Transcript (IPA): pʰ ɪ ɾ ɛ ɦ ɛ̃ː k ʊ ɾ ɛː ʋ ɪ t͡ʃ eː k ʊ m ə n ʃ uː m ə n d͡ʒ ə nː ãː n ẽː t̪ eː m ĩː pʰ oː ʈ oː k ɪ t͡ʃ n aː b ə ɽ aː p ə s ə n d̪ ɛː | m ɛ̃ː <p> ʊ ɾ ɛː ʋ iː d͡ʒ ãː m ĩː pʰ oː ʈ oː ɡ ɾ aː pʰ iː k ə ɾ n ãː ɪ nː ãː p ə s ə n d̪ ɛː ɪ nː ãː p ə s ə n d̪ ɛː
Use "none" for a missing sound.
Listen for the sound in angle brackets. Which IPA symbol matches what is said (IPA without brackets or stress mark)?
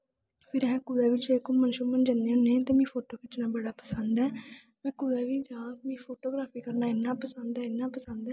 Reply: k